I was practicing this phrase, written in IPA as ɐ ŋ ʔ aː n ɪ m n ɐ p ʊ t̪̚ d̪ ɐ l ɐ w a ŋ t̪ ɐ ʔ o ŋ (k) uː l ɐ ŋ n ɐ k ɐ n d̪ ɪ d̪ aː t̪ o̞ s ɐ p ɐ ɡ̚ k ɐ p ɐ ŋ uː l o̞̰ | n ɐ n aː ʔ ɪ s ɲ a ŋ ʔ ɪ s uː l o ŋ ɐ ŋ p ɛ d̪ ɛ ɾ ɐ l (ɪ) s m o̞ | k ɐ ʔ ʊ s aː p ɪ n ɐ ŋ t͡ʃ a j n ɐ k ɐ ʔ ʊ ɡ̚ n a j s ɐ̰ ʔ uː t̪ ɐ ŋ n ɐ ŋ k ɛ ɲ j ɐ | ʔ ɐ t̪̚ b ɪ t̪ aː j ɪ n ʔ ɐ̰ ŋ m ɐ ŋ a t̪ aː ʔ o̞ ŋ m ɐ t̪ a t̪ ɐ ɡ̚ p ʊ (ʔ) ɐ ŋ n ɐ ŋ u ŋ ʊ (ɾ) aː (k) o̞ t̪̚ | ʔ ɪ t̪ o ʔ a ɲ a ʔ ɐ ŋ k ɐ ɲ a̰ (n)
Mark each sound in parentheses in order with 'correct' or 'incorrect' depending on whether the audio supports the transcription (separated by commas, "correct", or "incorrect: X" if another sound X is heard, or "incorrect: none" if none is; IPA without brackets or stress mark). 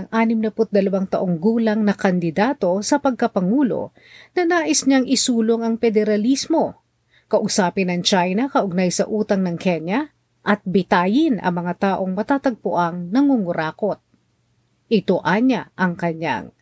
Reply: incorrect: ɡ, incorrect: i, correct, correct, correct, incorrect: ŋ